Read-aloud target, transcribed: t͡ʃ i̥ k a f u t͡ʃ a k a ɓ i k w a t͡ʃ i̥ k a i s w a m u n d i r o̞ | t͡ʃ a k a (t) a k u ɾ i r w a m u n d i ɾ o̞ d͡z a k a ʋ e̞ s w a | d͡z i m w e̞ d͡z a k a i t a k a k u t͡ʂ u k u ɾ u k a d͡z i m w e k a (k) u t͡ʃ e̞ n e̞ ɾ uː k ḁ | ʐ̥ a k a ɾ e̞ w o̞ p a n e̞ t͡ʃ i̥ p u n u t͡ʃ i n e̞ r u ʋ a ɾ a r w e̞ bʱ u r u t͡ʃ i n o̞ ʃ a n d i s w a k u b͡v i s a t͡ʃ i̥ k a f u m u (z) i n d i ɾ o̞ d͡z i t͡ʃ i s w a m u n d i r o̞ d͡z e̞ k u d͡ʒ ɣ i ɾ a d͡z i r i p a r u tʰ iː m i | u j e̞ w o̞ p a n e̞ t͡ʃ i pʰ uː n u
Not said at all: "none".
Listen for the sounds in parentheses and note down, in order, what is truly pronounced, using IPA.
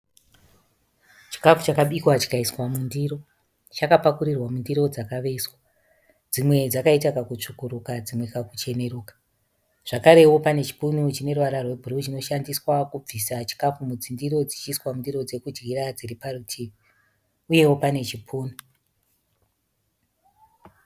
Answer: p, k, d͡z

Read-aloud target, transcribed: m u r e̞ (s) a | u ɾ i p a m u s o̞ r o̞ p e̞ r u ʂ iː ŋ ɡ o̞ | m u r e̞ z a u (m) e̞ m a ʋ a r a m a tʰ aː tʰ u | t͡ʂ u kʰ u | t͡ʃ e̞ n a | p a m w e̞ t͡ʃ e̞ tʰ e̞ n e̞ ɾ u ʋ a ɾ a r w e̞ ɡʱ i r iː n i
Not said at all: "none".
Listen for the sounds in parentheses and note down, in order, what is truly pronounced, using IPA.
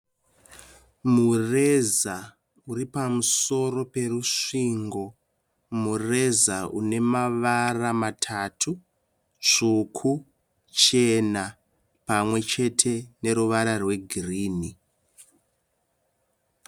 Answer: z, n

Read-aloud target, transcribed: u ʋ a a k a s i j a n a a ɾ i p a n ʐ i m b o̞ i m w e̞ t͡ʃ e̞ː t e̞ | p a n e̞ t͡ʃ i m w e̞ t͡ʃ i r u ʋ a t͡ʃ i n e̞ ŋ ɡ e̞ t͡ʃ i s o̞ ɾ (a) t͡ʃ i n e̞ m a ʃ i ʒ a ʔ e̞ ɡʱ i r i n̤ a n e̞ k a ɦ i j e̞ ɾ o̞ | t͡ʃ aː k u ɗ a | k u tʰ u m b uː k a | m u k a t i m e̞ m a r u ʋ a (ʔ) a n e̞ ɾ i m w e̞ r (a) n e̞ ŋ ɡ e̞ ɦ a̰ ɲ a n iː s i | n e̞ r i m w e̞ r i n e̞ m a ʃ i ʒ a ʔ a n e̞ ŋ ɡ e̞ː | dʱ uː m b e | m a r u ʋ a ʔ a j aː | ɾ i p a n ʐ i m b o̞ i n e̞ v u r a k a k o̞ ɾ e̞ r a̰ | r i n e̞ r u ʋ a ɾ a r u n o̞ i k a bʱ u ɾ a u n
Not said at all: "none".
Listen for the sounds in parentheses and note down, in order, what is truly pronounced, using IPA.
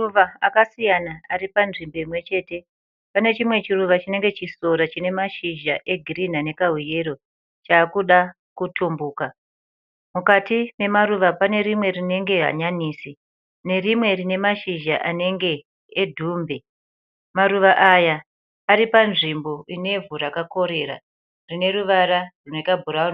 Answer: a, p, i

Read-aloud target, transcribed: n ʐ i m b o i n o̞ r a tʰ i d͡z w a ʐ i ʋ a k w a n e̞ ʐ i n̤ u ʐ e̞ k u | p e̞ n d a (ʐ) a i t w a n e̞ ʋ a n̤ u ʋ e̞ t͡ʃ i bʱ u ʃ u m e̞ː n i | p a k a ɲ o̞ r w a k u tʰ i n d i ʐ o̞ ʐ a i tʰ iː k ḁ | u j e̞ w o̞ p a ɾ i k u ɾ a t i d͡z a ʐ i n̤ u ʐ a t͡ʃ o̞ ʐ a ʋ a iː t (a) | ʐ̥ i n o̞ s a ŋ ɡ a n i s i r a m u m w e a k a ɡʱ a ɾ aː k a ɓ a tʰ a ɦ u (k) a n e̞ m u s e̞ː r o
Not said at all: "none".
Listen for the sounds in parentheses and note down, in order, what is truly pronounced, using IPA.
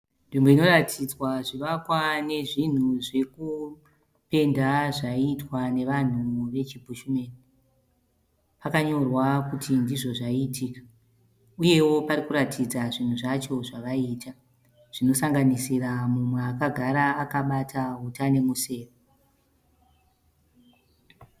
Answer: ʐ, a, t

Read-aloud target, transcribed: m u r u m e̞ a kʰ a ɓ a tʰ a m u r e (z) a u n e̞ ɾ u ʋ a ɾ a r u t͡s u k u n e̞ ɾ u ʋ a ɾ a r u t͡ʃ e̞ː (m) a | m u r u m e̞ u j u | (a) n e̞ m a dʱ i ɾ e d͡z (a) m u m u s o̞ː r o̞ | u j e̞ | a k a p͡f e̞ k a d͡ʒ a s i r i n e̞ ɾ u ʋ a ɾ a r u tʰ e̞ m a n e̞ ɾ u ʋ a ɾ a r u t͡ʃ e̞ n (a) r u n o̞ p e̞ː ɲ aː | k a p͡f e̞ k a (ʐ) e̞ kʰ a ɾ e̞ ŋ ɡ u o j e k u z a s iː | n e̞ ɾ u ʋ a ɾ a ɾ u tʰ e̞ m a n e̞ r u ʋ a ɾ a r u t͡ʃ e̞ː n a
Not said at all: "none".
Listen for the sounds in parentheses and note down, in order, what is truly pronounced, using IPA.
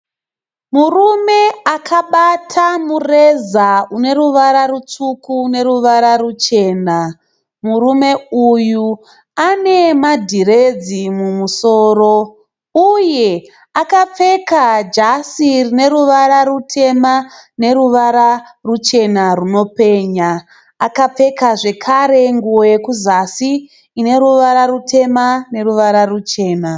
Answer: z, n, a, i, a, ʐ

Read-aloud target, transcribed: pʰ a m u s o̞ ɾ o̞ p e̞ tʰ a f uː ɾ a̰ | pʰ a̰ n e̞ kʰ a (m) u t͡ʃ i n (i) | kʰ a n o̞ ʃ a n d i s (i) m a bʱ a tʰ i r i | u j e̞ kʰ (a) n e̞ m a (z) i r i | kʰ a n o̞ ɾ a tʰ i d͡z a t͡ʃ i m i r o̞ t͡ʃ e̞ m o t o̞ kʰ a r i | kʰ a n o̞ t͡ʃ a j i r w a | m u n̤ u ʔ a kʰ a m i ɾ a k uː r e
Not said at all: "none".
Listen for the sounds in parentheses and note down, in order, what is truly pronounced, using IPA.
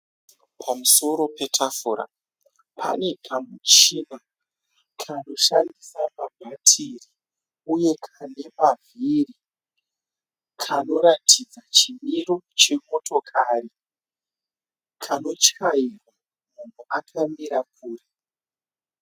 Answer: m, a, a, a, v

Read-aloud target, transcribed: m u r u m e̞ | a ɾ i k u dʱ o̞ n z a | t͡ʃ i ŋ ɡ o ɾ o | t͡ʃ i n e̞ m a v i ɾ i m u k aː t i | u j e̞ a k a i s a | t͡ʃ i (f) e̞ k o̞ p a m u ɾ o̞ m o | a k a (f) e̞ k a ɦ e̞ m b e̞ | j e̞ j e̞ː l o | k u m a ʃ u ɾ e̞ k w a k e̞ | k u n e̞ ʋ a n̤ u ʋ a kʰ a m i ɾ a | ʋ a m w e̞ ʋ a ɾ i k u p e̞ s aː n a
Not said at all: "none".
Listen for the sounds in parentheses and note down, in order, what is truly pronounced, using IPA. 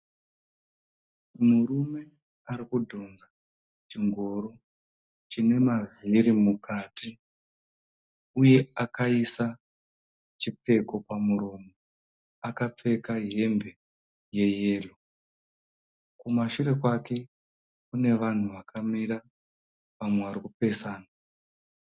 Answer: p͡f, p͡f

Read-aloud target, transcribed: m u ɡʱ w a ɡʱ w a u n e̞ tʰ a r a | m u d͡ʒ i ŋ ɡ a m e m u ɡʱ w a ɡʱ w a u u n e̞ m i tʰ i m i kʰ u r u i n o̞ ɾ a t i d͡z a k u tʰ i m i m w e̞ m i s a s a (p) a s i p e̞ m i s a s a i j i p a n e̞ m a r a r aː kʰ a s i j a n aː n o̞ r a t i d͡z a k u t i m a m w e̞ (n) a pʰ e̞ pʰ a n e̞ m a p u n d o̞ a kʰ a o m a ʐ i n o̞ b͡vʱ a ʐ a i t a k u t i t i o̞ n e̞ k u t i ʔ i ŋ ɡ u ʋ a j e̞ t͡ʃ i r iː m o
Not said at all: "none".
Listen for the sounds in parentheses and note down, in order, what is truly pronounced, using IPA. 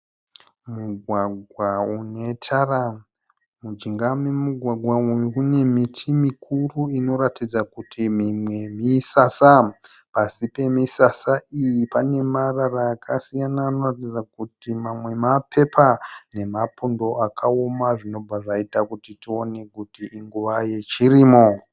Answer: p, m

